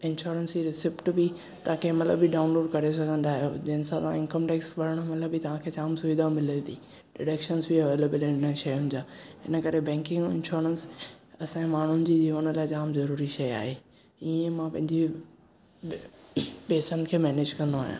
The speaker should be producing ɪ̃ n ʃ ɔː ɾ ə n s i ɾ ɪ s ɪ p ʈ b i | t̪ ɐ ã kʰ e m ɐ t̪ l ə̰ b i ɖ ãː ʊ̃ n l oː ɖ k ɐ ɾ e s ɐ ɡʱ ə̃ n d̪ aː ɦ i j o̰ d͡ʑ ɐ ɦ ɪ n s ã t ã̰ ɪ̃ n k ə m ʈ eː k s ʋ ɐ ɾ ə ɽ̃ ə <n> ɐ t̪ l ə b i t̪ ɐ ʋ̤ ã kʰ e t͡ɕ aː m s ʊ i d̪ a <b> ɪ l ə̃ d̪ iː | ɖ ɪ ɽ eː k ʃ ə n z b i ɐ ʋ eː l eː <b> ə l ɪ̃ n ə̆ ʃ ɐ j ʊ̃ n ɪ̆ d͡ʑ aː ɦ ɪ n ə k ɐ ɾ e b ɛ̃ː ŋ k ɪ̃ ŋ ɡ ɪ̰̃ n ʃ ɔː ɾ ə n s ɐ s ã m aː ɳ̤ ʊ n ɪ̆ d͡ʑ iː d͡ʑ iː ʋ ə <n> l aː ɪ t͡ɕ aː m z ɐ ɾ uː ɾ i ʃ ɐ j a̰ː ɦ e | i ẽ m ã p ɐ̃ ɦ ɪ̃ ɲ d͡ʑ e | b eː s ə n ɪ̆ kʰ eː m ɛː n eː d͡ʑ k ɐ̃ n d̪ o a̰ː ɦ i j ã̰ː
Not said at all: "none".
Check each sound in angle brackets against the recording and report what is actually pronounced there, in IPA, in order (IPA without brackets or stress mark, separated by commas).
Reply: m, m, b, n